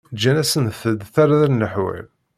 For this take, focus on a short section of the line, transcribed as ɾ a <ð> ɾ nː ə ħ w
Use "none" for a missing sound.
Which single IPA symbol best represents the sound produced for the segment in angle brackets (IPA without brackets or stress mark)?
ð